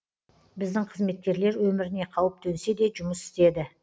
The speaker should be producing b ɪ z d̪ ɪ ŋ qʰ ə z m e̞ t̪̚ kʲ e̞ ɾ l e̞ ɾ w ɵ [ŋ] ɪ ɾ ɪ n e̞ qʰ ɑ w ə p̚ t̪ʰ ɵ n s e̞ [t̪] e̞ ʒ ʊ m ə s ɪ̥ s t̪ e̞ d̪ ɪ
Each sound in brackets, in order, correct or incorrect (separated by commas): incorrect, incorrect